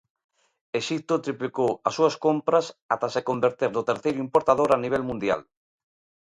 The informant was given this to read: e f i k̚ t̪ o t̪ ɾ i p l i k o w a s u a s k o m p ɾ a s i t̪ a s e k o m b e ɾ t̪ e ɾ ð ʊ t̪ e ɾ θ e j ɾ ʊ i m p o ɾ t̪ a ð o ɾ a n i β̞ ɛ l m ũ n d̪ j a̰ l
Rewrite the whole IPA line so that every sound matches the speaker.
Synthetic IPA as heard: e ʃ i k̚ t̪ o t̪ ɾ i p l i k o w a s u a s k o m p ɾ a s a t̪ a s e k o m b e ɾ t̪ e ɾ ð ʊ t̪ e ɾ θ e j ɾ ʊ i m p o ɾ t̪ a ð o ɾ a n i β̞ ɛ l m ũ n d̪ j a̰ l